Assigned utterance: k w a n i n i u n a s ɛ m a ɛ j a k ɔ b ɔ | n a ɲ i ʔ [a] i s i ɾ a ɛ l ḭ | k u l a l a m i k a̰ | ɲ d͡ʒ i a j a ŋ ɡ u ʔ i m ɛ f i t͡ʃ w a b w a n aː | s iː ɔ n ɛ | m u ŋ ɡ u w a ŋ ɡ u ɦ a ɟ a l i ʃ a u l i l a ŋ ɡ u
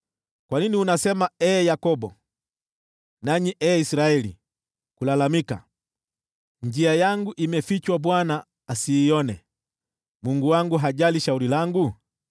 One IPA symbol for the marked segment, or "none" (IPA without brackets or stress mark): ɛ